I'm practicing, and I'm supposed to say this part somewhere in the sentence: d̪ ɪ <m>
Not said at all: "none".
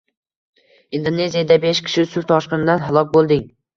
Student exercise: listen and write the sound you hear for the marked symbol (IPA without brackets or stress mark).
ŋ